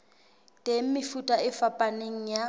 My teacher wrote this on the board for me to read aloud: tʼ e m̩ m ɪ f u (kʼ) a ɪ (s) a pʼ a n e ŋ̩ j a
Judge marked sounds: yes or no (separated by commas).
no, no